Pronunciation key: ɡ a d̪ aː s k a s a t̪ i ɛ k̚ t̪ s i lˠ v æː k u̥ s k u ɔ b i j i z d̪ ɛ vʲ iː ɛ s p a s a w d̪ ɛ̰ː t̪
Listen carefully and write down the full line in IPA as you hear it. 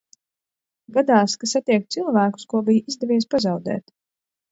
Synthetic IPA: ɡ a d̪ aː s k a s a t̪ i ɛ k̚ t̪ s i lˠ v æː k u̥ s k u ɔ b i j i z d̪ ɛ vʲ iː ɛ s p a z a w d̪ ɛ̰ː t̪